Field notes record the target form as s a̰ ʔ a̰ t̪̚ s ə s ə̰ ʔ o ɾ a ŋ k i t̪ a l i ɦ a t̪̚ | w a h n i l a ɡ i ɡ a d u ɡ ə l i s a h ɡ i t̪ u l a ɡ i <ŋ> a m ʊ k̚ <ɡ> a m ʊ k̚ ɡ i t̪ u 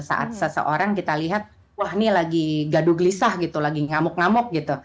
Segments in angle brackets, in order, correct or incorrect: correct, incorrect

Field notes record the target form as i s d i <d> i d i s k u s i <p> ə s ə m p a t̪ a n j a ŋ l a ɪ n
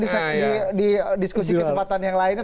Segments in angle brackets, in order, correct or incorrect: correct, incorrect

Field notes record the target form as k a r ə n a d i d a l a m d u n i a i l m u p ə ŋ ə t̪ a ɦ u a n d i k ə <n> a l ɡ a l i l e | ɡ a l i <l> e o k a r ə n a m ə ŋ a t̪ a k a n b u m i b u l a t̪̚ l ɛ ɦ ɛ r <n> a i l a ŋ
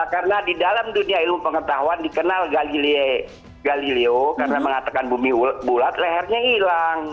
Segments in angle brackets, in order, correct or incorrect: correct, correct, incorrect

